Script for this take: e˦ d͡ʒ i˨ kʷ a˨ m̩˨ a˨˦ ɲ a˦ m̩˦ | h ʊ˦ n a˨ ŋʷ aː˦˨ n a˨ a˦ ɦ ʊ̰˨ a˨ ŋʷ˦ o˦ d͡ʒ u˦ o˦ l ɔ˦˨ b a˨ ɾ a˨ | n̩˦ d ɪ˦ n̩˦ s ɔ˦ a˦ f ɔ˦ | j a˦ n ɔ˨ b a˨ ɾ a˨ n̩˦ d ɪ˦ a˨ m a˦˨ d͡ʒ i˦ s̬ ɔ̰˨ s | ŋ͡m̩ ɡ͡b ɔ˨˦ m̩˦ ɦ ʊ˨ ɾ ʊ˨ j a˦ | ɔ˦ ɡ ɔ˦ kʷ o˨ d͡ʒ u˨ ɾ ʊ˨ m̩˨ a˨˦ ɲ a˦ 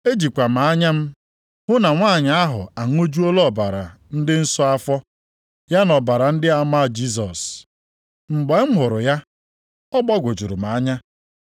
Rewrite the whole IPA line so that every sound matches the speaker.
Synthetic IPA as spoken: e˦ d͡ʒ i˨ kʷ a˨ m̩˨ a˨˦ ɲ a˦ m̩˦ | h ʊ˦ n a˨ ŋʷ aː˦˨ ɲ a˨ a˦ ɦ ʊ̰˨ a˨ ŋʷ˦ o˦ d͡ʒ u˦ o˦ l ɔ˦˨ b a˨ ɾ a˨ | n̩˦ d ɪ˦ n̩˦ s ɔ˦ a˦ f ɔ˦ | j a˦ n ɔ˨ b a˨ ɾ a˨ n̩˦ d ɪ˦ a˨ m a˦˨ d͡ʒ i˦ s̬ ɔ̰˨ s | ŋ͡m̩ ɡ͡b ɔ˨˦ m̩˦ ɦ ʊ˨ ɾ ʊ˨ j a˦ | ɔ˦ ɡ͡b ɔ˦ ɡʷ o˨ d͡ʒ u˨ ɾ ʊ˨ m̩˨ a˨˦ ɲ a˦